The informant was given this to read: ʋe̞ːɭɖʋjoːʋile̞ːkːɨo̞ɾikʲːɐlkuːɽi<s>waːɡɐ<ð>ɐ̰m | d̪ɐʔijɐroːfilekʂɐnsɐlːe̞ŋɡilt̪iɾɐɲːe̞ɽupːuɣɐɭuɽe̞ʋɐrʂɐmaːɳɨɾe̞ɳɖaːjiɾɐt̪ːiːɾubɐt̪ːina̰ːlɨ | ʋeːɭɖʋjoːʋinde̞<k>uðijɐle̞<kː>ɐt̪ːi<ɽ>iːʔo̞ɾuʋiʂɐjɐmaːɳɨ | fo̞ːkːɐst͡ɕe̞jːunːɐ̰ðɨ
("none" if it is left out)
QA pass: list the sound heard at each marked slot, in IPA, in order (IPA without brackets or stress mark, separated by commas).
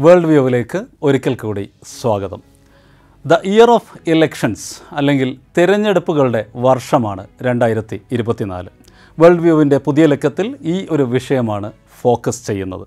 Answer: s, ð, p, kː, l